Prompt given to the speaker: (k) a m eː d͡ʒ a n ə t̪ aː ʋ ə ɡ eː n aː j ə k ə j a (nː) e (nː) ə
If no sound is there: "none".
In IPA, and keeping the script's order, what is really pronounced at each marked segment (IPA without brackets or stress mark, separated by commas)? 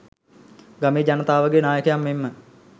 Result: ɡ, mː, mː